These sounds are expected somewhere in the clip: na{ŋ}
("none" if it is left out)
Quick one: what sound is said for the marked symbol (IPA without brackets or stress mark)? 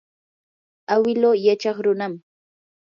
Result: m